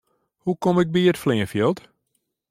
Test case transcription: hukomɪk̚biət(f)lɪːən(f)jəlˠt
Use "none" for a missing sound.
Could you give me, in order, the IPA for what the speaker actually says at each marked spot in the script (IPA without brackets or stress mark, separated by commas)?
f, f